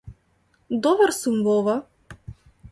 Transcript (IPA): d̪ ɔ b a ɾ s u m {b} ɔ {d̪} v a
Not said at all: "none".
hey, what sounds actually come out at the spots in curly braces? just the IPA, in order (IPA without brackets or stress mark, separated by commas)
v, none